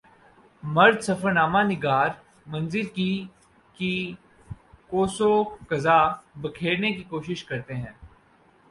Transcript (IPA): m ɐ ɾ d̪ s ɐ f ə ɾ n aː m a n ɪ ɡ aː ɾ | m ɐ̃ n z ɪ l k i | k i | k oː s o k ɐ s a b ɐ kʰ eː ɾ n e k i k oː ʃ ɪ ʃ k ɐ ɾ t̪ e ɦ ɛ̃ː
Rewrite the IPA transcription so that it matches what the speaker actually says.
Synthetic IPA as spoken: m ɐ ɾ d̪ s ɐ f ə ɾ n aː m a n ɪ ɡ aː ɾ | m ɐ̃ n z ɪ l k i | k i | k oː s o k ɐ z a b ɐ kʰ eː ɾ n e k i k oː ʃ ɪ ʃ k ɐ ɾ t̪ e ɦ ɛ̃ː